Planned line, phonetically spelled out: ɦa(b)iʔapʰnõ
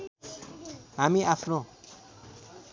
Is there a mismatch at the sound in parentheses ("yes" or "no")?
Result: yes